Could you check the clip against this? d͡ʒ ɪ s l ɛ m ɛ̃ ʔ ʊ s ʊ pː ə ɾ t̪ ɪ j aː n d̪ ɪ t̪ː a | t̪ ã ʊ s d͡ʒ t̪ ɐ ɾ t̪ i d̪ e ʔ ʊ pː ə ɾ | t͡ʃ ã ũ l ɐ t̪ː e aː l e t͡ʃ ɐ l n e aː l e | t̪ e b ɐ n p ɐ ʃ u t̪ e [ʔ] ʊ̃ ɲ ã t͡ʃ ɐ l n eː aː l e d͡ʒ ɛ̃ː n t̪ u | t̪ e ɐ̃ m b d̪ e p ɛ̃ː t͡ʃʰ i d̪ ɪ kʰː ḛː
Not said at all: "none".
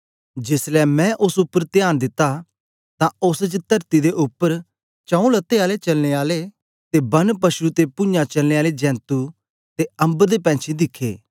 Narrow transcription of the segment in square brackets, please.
p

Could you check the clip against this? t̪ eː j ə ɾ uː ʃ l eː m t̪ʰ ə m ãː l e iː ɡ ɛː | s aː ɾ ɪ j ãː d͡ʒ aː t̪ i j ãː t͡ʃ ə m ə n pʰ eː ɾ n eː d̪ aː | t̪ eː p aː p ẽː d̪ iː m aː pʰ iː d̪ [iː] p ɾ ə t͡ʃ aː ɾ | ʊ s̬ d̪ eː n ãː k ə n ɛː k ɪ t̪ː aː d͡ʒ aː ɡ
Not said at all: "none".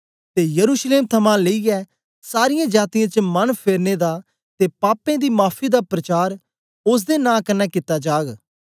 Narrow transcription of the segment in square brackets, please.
aː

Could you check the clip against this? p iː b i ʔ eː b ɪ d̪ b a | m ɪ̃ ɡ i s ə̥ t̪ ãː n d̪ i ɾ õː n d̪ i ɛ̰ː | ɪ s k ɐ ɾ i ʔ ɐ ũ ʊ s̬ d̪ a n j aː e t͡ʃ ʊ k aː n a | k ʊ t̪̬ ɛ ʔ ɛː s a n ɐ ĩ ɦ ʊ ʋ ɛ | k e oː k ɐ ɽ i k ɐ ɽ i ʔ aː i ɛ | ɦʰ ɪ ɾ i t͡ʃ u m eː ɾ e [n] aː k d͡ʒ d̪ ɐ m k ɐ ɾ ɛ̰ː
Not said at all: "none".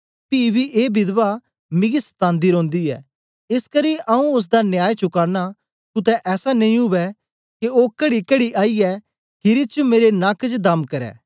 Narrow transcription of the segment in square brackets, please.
n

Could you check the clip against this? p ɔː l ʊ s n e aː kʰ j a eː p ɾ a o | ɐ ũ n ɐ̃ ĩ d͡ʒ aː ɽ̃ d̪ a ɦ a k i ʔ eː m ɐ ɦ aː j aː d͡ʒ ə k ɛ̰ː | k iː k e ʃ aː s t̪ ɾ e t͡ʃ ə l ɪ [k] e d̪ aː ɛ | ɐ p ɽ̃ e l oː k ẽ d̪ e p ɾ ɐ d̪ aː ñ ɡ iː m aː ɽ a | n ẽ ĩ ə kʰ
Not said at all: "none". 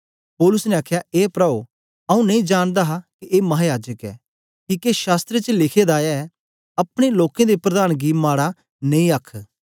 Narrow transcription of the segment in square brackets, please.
kʰ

